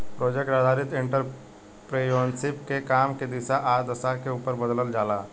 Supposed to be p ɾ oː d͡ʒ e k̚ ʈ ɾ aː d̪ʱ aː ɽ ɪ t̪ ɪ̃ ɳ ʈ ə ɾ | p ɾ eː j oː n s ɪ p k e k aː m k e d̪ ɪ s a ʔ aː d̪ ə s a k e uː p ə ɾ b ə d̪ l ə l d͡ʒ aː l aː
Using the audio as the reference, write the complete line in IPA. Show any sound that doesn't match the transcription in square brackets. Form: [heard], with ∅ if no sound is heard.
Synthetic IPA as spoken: p ɾ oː d͡ʒ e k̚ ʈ ɾ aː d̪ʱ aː [ɾ] ɪ t̪ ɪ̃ ɳ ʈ ə ɾ | p ɾ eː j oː n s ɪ p k e k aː m k e d̪ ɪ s a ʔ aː d̪ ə s a k e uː p ə ɾ b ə d̪ l ə l d͡ʒ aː l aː